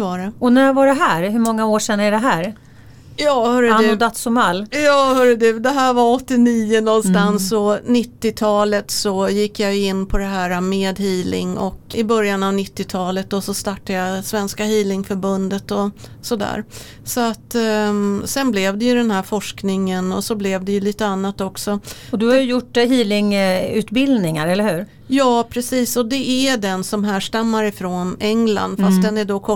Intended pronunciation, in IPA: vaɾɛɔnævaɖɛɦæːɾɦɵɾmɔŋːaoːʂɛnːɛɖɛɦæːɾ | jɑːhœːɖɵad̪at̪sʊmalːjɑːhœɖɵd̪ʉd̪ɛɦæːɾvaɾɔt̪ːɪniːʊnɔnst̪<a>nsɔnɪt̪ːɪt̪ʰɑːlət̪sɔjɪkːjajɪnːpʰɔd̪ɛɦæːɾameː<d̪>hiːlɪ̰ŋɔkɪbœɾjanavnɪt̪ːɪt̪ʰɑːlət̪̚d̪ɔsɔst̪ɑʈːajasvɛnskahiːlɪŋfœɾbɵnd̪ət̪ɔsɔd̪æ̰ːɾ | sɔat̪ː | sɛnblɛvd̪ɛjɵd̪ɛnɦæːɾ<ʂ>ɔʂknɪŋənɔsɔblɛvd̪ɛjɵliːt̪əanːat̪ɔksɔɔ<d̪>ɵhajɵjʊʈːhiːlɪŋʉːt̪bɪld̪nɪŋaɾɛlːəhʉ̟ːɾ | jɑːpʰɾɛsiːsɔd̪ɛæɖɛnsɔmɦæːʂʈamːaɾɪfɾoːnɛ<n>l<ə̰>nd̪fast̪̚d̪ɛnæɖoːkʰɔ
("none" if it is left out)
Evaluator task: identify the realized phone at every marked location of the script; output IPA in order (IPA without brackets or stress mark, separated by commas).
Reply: a, d̪, f, d̪, ŋ, a̰